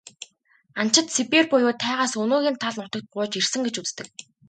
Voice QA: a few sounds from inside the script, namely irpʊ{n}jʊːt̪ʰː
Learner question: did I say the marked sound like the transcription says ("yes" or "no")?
no